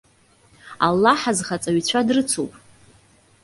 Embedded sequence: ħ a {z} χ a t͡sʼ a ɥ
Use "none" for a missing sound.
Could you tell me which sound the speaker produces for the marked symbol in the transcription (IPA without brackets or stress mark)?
z